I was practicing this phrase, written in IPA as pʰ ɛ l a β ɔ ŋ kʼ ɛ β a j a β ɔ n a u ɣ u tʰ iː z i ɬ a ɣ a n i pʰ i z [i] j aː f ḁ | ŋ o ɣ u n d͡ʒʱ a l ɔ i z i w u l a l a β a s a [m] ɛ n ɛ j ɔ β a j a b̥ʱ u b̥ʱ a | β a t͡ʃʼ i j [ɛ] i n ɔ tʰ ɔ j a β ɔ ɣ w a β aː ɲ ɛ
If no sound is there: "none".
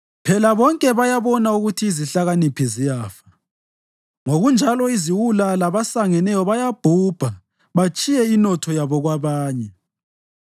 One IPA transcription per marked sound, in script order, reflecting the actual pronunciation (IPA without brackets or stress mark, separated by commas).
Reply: i, ŋ, ɛ